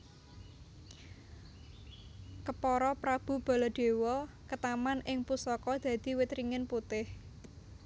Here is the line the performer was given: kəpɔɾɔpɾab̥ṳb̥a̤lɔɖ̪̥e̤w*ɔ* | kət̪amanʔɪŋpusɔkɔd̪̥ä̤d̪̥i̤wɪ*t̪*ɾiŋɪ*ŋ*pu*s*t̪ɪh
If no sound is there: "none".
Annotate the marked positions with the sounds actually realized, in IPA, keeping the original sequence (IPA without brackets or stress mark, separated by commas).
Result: ɔ, t̪, n, none